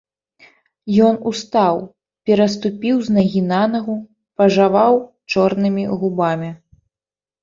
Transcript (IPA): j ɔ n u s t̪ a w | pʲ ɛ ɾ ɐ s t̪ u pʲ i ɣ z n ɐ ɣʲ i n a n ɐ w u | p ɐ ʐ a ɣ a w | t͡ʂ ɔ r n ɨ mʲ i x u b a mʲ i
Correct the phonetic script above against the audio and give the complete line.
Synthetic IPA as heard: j ɔ n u s t̪ a w | pʲ ɛ ɾ ɐ s t̪ u pʲ i w z n ɐ ɣʲ i n a n ɐ ɣ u | p ɐ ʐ a v a w | t͡ʂ ɔ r n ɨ mʲ i ɣ u b a mʲ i

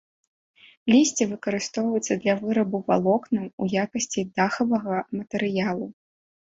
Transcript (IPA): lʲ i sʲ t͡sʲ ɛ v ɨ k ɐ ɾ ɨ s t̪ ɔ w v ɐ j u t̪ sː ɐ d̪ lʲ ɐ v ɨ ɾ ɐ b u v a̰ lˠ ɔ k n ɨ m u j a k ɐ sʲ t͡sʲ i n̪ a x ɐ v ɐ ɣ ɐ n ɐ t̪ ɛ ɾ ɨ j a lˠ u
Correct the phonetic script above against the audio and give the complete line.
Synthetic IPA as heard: lʲ i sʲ t͡sʲ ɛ v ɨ k ɐ ɾ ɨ s t̪ ɔ w v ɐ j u t̪ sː ɐ d̪ lʲ ɐ v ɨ ɾ ɐ b u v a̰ lˠ ɔ k n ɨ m u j a k ɐ sʲ t͡sʲ i d̪ a x ɐ v ɐ ɣ ɐ m ɐ t̪ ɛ ɾ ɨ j a lˠ u

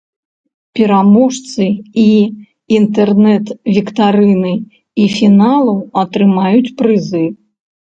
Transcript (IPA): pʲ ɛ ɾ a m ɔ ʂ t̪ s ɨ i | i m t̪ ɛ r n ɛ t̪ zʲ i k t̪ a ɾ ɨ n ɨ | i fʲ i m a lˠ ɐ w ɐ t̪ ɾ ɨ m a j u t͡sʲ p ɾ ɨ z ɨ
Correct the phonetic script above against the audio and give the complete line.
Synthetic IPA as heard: pʲ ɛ ɾ a m ɔ ʂ t̪ s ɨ i | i n t̪ ɛ r n ɛ t̪ vʲ i k t̪ a ɾ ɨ n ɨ | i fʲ i n a lˠ ɐ w ɐ t̪ ɾ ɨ m a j u t͡sʲ p ɾ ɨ z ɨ

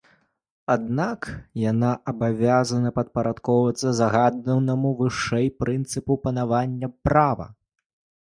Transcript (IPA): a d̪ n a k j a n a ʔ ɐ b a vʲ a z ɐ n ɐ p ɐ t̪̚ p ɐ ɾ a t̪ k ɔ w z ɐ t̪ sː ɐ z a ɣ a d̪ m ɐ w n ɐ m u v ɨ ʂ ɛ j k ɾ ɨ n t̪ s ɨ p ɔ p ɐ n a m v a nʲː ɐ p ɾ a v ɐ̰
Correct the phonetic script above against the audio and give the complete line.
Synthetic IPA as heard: a d̪ n a k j a n a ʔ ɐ b a vʲ a z ɐ n ɐ p ɐ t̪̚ p ɐ ɾ a t̪ k ɔ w v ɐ t̪ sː ɐ z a ɣ a d̪ n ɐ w n ɐ m u v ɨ ʂ ɛ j p ɾ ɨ n t̪ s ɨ p u p ɐ n a v a nʲː ɐ p ɾ a v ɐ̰

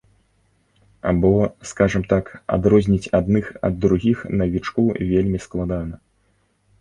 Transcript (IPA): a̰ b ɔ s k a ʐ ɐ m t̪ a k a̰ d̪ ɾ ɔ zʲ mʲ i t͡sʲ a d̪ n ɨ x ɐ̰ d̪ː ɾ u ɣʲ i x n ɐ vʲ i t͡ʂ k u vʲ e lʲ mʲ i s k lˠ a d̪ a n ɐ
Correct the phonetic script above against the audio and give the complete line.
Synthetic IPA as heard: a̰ b ɔ s k a ʐ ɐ m t̪ a k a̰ d̪ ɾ ɔ zʲ nʲ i t͡sʲ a d̪ n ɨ x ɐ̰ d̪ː ɾ u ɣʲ i x n ɐ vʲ i t͡ʂ k u vʲ e lʲ mʲ i s k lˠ a d̪ a n ɐ

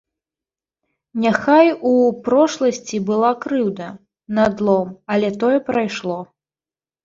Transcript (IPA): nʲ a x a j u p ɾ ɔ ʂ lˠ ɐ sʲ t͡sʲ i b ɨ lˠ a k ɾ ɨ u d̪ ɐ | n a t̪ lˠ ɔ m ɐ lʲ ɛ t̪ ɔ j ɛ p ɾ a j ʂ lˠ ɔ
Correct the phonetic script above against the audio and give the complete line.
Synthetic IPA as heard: nʲ a x a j u p ɾ ɔ ʂ lˠ ɐ sʲ t͡sʲ i b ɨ lˠ a k ɾ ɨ w d̪ ɐ | n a d̪ lˠ ɔ m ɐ lʲ ɛ t̪ ɔ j ɛ p ɾ a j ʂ lˠ ɔ

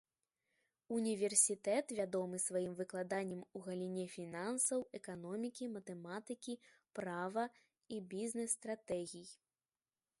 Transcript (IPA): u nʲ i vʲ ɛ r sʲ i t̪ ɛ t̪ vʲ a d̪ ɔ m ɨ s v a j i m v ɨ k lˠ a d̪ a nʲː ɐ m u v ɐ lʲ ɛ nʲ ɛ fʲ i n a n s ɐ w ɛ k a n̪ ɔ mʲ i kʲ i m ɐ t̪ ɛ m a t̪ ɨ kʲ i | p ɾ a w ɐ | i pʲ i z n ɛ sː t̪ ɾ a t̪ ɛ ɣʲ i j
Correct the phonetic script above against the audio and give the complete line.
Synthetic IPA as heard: u nʲ i vʲ ɛ r sʲ i t̪ ɛ t̪ vʲ a d̪ ɔ m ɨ s v a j i m v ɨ k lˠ a d̪ a nʲː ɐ m u ɣ ɐ lʲ i nʲ ɛ fʲ i n a n s ɐ w ɛ k a n̪ ɔ mʲ i kʲ i m ɐ t̪ ɛ m a t̪ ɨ kʲ i | p ɾ a v ɐ | i bʲ i z n ɛ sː t̪ ɾ a t̪ ɛ ɣʲ i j

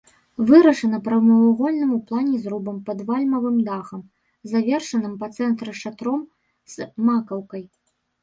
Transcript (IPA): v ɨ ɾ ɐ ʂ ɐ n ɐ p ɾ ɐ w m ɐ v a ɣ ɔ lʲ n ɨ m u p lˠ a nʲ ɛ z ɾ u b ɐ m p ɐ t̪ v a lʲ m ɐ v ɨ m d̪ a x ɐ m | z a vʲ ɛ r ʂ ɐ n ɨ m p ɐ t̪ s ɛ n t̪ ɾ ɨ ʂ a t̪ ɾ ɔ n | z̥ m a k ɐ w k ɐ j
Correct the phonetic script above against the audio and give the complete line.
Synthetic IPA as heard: v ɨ ɾ ɐ ʂ ɐ n ɐ p ɾ ɐ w m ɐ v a ɣ ɔ lʲ n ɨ m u p lˠ a nʲ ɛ z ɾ u b ɐ m p ɐ d̪ v a lʲ m ɐ v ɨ m d̪ a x ɐ m | z a vʲ ɛ r ʂ ɐ n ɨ m p ɐ t̪ s ɛ n t̪ ɾ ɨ ʂ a t̪ ɾ ɔ m | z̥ m a k ɐ w k ɐ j

